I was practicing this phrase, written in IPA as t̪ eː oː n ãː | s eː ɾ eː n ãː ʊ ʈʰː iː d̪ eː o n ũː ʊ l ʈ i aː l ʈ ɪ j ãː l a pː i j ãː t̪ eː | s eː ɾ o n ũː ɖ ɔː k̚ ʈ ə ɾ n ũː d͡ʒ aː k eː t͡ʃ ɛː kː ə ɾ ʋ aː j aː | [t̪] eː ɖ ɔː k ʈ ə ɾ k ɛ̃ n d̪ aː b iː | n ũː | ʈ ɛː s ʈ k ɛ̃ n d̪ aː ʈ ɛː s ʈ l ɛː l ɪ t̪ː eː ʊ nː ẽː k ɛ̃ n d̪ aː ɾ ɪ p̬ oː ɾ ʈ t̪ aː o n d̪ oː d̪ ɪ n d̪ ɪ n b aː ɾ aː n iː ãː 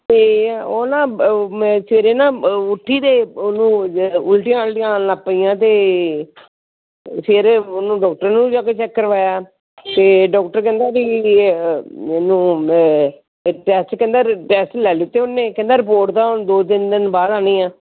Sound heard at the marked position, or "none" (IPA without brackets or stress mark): t̪